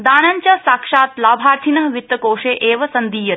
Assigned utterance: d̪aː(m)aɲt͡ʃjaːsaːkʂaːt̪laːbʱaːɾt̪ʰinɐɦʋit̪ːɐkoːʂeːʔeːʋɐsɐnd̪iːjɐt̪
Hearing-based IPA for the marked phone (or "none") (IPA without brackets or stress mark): n